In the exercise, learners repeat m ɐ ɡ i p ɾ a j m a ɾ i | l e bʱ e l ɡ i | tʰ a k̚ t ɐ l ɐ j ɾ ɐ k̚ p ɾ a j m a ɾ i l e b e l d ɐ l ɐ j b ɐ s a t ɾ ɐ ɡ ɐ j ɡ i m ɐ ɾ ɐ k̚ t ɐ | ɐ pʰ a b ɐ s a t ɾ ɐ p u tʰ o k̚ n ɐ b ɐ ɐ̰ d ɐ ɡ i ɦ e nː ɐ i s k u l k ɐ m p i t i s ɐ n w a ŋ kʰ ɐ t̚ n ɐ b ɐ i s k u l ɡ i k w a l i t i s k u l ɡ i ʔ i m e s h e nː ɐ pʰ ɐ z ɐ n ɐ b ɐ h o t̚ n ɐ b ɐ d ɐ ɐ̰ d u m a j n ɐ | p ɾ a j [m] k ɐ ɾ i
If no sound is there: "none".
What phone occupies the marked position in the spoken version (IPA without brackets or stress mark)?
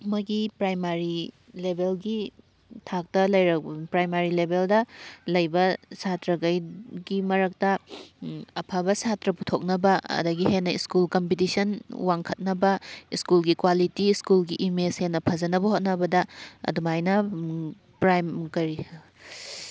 m